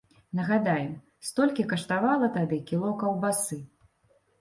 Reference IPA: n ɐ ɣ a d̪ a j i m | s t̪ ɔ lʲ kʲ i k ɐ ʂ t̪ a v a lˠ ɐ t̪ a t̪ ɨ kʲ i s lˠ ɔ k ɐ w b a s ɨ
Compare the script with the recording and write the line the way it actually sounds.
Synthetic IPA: n ɐ ɣ a d̪ a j ɛ m | s t̪ ɔ lʲ kʲ i k ɐ ʂ t̪ a v a lˠ ɐ t̪ a d̪ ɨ kʲ i lˠ ɔ k ɐ w b a s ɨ